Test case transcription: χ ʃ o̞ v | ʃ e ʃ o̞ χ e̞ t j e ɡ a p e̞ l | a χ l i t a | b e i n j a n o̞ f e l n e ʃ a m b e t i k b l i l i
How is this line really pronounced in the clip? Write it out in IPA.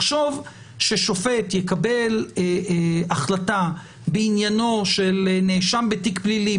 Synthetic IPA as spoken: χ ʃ o̞ v | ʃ e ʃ o̞ f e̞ t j e k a b e̞ l | a χ l a t a | b e i n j a n o̞ ʃ e l n e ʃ a m b e t i k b l i l i

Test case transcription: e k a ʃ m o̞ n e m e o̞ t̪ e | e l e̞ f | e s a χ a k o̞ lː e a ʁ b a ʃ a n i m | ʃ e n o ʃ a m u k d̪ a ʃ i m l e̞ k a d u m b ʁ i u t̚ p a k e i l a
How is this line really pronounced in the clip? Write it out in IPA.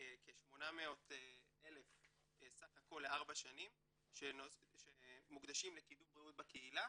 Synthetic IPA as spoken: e k e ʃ m o̞ n a m e o̞ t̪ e | e l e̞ f | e s a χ a k o̞ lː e a ʁ b a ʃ a n i m | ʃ e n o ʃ e m u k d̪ a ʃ i m l e̞ k i d u m b ʁ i u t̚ b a k e i l a

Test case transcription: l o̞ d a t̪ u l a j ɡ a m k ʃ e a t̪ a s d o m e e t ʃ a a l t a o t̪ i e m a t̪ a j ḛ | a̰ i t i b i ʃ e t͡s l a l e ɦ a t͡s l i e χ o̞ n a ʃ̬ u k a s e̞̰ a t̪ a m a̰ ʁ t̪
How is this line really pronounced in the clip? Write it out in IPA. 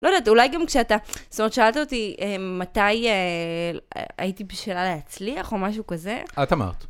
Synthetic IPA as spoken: l o̞ d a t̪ u l a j ɡ a m k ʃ e a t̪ a s t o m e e t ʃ a a l t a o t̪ i e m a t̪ a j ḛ | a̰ i t i b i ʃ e l a l e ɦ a t͡s l i a χ o̞ m a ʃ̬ u k a z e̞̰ a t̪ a m a̰ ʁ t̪

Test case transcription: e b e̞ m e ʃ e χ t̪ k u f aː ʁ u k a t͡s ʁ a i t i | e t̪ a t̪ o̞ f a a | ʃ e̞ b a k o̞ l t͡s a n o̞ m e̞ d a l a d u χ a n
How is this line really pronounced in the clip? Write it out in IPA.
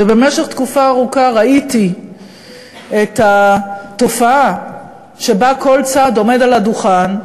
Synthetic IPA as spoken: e b e̞ m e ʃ e χ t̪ k u f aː ʁ u k a ʁ a i t i | e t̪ a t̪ o̞ f a a | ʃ e̞ b a k o̞ l t͡s a d o̞ m e̞ d a l a d u χ a n

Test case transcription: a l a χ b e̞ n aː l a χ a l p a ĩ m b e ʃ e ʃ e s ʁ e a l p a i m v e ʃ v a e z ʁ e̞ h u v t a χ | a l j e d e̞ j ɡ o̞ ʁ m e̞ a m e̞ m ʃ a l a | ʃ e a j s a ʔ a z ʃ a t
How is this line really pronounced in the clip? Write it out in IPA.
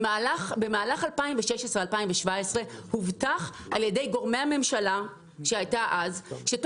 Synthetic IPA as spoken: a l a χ b e̞ m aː l a χ a l p a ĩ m v e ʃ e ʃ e s ʁ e a l p a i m v e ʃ v a e s ʁ e̞ h u v t a χ | a l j e d e̞ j ɡ o̞ ʁ m e̞ a m e̞ m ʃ a l a | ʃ e a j t a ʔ a z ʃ e t

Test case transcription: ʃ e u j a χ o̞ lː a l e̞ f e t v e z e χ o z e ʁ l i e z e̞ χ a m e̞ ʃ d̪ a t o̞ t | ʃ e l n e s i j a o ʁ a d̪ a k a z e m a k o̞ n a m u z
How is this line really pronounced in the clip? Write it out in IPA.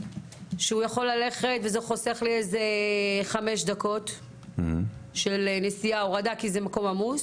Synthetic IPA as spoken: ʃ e u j a χ o̞ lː a l e̞ χ e t v e z e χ o s e χ l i e z e̞ χ a m e̞ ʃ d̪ a k o̞ t | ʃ e l n e s i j a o ʁ a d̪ a k i z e m a k o̞ m a m u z

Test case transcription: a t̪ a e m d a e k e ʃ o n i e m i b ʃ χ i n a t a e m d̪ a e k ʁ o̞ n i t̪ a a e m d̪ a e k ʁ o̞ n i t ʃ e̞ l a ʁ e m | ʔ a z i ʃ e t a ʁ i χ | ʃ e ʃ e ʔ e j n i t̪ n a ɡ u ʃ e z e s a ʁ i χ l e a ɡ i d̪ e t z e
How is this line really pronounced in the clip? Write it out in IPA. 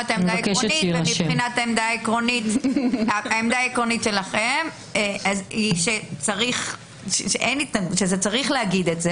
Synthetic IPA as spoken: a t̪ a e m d a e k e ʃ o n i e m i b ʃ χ i n a t a e m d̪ a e k ʁ o̞ n i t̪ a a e m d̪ a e k ʁ o̞ n i t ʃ e̞ l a χ e m | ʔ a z i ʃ e t͡s a ʁ i χ | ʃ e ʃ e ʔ e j n i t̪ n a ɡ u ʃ e z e t͡s a ʁ i χ l e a ɡ i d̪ e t z e

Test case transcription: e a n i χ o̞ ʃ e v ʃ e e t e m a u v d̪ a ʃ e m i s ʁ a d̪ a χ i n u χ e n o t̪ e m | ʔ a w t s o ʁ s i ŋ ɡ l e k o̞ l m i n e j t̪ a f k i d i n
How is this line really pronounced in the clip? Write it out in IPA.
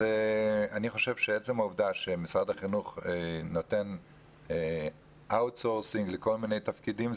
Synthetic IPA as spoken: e a n i χ o̞ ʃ e v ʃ e e t͡s e m a u v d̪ a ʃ e m i s ʁ a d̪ a χ i n u χ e n o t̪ e n | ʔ a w t s o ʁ s i ŋ ɡ l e k o̞ l m i n e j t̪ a f k i d i m

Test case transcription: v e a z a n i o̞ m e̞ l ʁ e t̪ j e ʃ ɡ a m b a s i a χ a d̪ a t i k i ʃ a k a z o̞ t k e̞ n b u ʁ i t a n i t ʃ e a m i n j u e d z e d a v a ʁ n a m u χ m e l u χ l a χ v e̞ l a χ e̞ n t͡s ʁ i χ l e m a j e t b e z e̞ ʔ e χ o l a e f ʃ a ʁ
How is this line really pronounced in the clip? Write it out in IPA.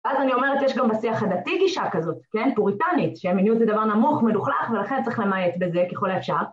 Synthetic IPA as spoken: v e a z a n i o̞ m e̞ ʁ e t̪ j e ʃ ɡ a m b a s i a χ a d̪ a t i ɡ i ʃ a k a z o̞ t k e̞ n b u ʁ i t a n i t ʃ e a m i n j u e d z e d a v a ʁ n a m u χ m e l u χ l a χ v e̞ l a χ e̞ n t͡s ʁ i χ l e m a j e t b e z e̞ k e χ o l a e f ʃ a ʁ

